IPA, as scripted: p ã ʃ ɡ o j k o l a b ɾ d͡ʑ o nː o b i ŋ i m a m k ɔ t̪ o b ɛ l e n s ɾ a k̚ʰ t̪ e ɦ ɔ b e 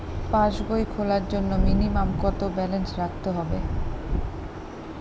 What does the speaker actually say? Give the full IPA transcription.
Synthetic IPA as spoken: p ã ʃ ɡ o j kʰ o l a ɾ d͡ʑ o nː o m i n i m a m k ɔ t̪ o b ɛ l e n s ɾ a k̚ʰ t̪ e ɦ ɔ b e